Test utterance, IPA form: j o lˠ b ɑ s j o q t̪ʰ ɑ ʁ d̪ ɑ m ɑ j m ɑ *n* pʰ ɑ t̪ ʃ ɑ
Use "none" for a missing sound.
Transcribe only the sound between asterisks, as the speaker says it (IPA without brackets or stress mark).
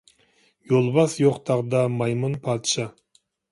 n